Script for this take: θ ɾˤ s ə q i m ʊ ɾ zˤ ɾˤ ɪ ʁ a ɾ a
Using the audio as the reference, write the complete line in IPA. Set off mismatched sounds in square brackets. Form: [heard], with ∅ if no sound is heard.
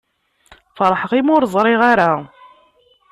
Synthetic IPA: [f] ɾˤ [ħ] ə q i m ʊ ɾ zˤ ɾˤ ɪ ʁ a ɾ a